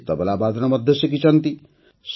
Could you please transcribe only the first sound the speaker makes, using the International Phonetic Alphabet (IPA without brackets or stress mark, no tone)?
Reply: t̪